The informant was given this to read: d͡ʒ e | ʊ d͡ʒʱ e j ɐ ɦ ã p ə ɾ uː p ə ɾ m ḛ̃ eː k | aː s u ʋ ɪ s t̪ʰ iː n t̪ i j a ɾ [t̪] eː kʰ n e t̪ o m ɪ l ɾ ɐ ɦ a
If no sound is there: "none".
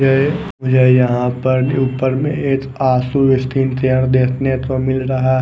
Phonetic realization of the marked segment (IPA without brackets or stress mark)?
d̪